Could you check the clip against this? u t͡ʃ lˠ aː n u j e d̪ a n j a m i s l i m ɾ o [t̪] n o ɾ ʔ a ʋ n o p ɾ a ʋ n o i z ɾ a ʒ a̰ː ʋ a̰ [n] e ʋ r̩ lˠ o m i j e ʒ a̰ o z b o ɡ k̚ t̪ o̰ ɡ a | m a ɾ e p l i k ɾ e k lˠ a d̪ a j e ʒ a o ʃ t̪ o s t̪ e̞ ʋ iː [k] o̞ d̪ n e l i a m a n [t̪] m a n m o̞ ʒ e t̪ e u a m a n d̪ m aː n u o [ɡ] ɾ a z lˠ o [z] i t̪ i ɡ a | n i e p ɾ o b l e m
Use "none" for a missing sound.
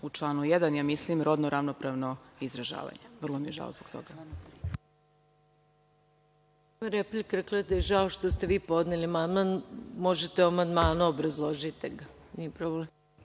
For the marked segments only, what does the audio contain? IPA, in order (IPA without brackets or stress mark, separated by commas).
d̪, ɲ, p, d̪, b, ʒ